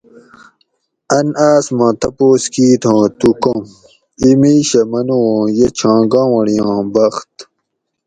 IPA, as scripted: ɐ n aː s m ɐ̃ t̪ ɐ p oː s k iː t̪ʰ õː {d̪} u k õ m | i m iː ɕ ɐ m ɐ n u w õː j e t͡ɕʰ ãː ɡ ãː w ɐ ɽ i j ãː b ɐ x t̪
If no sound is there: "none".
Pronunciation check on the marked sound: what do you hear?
t̪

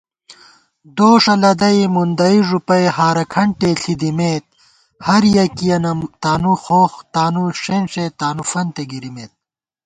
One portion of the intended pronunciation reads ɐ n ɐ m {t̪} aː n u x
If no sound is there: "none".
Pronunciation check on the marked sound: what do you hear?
t̪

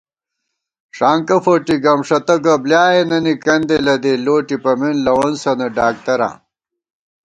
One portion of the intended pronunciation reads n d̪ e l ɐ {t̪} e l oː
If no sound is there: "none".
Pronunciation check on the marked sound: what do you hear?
d̪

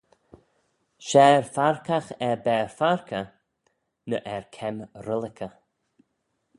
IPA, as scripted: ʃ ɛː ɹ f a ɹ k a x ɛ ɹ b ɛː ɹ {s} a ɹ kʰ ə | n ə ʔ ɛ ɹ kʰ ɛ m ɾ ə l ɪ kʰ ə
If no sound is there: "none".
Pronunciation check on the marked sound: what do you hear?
f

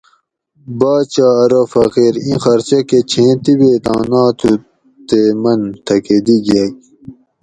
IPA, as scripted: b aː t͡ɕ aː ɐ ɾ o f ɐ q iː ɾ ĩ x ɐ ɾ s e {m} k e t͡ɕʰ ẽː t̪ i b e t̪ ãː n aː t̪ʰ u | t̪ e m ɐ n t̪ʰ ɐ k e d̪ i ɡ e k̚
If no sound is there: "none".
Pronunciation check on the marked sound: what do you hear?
none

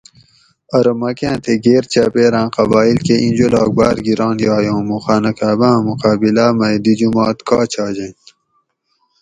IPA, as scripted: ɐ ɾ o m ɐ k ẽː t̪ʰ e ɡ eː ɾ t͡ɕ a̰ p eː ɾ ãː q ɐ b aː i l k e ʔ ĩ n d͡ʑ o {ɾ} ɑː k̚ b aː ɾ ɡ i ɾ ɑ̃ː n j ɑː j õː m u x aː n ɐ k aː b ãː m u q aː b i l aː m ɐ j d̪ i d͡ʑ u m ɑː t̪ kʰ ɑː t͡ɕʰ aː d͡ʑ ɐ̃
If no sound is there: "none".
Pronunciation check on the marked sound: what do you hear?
l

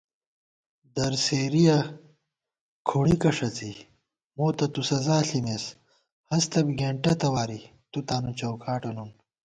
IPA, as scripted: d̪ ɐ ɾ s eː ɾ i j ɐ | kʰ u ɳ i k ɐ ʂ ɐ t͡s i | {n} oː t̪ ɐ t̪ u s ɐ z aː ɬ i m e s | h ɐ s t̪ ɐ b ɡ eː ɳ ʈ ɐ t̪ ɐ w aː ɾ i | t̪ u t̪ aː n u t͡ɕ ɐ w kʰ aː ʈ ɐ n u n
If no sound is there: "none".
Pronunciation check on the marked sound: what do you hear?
m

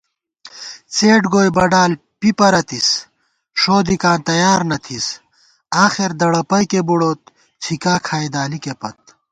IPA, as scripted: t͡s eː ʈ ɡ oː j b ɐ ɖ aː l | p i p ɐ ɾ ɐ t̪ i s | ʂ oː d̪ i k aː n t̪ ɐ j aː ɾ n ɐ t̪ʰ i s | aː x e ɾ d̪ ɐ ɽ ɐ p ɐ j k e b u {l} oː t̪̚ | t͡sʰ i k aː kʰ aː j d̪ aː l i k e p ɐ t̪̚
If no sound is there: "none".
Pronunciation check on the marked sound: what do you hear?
ɽ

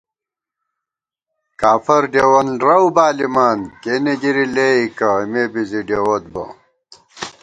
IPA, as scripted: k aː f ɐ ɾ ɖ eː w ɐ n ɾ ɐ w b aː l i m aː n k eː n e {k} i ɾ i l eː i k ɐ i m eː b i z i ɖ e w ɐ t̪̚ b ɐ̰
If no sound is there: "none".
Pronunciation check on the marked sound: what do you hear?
ɡ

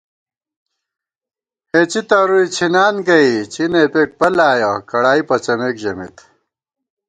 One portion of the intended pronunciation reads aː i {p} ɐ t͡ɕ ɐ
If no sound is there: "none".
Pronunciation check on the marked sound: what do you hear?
p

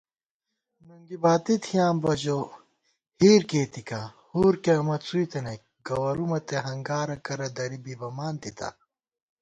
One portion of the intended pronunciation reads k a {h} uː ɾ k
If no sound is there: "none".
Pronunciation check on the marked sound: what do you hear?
h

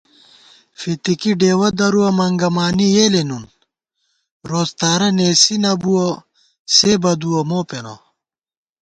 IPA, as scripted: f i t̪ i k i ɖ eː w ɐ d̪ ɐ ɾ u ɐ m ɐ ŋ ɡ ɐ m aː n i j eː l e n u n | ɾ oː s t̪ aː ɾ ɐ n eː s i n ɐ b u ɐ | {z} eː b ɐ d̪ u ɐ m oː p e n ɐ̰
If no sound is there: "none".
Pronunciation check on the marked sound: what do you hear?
s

